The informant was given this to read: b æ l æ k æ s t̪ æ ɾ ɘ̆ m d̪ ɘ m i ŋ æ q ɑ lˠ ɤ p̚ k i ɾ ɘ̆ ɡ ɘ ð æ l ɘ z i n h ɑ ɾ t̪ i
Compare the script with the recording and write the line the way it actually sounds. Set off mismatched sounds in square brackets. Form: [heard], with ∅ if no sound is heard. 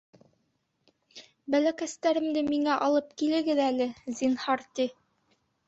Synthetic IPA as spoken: b æ l æ k æ s t̪ æ ɾ ɘ̆ m d̪ ɘ m i ŋ æ [ʔ] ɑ lˠ ɤ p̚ k i [l] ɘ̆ ɡ ɘ ð æ l ɘ z i n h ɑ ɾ t̪ i